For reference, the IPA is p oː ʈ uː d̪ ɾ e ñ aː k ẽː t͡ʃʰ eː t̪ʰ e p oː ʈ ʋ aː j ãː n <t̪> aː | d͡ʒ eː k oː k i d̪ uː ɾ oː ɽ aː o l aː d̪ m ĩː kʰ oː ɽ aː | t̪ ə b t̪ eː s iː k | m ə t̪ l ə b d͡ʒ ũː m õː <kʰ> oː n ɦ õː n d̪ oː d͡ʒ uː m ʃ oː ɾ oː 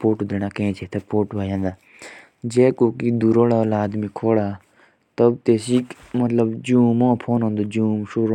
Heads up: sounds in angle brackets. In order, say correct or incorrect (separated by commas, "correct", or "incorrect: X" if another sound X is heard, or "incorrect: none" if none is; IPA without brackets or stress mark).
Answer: incorrect: d̪, incorrect: pʰ